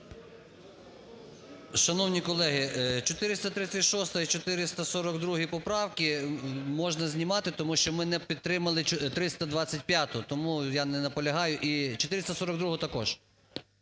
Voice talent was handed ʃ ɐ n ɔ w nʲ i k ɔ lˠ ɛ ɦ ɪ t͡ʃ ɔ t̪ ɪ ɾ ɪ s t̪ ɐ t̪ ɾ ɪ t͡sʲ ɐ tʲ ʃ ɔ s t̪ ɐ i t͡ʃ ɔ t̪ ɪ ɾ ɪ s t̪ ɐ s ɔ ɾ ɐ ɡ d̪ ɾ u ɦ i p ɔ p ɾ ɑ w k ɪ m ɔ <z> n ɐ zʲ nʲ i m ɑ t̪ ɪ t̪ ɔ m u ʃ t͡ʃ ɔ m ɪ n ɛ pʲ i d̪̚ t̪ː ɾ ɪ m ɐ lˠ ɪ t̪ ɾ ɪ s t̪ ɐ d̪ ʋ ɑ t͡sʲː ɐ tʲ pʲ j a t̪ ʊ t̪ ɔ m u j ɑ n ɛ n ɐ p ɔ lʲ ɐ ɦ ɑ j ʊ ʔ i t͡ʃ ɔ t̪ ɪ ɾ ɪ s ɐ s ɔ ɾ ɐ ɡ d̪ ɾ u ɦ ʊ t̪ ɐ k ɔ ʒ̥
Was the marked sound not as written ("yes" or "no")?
yes